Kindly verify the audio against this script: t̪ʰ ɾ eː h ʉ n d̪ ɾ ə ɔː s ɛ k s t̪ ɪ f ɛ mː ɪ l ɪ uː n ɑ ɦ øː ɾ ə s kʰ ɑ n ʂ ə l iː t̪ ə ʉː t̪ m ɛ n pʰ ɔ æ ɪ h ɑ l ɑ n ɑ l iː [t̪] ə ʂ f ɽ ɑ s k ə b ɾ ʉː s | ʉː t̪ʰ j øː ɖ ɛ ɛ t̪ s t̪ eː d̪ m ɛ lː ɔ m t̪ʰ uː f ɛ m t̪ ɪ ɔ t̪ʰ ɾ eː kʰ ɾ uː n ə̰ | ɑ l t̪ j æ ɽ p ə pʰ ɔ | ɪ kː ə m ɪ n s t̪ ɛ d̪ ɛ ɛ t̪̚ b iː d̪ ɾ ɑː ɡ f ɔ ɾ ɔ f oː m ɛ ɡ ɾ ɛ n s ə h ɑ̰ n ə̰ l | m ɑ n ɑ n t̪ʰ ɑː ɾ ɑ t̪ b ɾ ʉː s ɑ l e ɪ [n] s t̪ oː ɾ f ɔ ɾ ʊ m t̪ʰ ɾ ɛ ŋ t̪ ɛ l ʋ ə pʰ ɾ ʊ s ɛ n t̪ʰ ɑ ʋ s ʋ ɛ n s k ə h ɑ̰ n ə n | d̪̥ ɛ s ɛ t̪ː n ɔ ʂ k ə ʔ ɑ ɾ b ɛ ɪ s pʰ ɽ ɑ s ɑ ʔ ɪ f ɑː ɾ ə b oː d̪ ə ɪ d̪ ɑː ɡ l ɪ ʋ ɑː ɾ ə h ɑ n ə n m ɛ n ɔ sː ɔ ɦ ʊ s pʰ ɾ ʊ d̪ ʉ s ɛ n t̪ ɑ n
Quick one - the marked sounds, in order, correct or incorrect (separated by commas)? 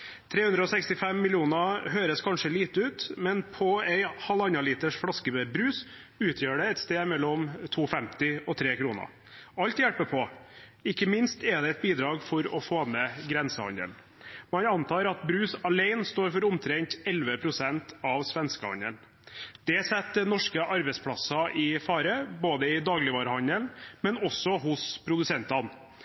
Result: correct, correct